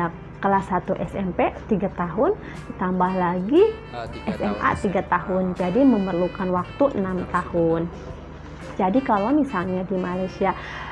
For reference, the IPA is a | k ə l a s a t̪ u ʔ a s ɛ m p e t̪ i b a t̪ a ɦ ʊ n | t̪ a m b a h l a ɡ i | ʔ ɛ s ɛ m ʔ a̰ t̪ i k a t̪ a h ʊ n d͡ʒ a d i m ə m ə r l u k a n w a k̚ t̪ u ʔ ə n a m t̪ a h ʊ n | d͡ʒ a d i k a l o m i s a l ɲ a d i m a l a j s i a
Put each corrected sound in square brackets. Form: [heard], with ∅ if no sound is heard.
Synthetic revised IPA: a | k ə l a s a t̪ u ʔ [ɛ] s ɛ m p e t̪ i [ɡ] a t̪ a ɦ ʊ n | t̪ a m b a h l a ɡ i | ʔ ɛ s ɛ m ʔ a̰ t̪ i [ɡ] a t̪ a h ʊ n d͡ʒ a d i m ə m ə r l u k a n w a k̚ t̪ u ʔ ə n a m t̪ a h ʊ n | d͡ʒ a d i k a l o m i s a l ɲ a d i m a l a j s i a